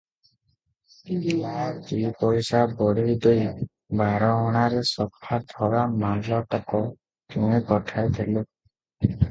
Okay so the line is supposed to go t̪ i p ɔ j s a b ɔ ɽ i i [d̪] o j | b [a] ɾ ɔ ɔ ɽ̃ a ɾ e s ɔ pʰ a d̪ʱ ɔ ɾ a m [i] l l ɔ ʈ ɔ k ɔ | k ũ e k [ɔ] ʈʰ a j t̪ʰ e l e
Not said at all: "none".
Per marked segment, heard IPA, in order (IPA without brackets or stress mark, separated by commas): d̪, a, a, ɔ